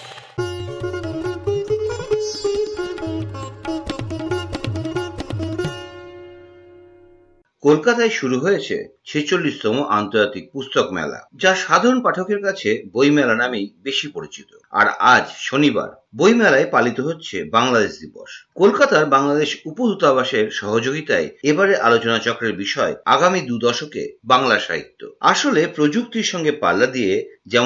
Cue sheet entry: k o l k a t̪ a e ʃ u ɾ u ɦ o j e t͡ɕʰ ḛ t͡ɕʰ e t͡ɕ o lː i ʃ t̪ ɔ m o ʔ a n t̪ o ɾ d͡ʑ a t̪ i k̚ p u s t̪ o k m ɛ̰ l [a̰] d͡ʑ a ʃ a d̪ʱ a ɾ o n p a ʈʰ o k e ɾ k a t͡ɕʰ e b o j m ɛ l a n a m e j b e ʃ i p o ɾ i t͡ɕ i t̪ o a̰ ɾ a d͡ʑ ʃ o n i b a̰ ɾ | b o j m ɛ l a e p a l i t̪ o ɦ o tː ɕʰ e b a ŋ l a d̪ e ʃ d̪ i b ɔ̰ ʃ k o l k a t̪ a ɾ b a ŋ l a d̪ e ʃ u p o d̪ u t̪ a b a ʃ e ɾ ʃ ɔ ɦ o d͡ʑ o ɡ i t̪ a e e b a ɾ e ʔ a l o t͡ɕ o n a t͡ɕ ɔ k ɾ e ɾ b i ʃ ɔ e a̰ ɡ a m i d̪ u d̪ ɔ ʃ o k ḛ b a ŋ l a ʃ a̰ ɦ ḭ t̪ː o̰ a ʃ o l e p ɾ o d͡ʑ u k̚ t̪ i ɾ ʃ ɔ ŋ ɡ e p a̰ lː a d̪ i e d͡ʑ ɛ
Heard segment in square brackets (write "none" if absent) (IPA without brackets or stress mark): a̰